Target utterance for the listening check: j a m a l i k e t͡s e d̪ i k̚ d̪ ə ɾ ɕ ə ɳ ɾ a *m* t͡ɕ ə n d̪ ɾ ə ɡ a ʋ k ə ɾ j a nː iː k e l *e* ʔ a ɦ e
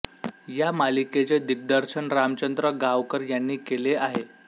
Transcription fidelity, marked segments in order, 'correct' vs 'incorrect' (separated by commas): correct, correct